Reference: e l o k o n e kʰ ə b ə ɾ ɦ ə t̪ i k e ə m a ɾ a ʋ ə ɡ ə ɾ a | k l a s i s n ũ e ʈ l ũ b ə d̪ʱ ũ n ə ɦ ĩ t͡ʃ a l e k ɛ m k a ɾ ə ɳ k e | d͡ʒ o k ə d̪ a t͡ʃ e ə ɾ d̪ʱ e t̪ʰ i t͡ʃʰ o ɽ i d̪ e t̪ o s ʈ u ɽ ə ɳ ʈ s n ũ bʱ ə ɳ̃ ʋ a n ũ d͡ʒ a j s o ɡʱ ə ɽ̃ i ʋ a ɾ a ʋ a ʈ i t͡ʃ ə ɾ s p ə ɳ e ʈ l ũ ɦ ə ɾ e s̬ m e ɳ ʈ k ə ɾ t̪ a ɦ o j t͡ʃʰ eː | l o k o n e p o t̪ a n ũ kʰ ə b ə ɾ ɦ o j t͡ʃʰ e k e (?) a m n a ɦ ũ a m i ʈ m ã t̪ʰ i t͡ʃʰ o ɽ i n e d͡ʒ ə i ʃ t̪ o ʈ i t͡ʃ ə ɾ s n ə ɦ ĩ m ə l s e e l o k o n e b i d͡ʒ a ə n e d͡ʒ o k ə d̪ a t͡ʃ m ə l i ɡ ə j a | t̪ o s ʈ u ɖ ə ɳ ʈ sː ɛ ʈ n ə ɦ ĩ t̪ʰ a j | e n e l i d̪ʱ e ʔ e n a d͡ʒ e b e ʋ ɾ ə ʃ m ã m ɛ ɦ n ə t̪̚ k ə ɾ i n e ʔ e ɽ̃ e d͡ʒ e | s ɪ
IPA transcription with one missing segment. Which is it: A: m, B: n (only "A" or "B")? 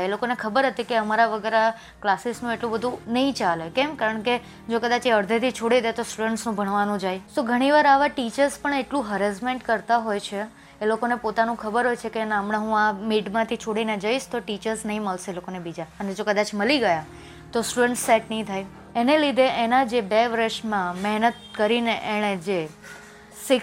B